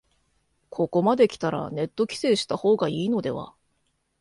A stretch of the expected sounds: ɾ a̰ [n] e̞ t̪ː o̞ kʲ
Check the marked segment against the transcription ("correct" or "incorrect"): correct